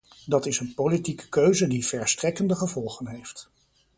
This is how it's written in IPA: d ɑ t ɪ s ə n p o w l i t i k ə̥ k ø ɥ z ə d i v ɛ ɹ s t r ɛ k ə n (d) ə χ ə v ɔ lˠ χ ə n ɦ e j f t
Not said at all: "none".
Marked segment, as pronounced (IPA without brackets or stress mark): d